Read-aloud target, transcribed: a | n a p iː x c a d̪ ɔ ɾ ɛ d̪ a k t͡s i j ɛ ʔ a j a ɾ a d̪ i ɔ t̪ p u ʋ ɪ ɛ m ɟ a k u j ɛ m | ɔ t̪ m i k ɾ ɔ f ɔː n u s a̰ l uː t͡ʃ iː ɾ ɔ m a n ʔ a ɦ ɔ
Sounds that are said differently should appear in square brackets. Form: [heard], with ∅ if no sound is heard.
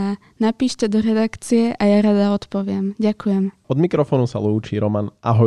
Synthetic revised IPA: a | n a p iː [ʃ] c [ɛ] d̪ ɔ ɾ ɛ d̪ a k t͡s i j ɛ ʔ a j a ɾ a d̪ [a] ɔ t̪ p [ɔ] ʋ ɪ ɛ m ɟ a k u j ɛ m | ɔ [d̪] m i k ɾ ɔ f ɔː n u s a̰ l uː t͡ʃ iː ɾ ɔ m a n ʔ a ɦ ɔ